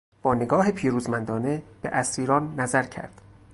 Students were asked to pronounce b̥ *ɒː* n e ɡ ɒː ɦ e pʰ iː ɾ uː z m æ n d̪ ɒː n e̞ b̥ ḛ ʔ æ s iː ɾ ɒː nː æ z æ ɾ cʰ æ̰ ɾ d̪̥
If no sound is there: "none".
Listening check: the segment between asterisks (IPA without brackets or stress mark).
ɒː